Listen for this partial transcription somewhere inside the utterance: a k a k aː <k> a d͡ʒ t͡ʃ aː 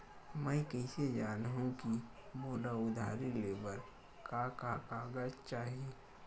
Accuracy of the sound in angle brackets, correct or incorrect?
incorrect